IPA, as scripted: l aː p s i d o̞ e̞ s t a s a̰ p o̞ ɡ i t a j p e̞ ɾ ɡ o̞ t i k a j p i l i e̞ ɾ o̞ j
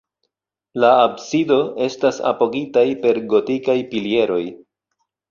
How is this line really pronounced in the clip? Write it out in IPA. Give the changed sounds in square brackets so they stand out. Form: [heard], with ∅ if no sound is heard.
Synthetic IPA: l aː [b] s i d o̞ e̞ s t a s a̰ p o̞ ɡ i t a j p e̞ ɾ ɡ o̞ t i k a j p i l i e̞ ɾ o̞ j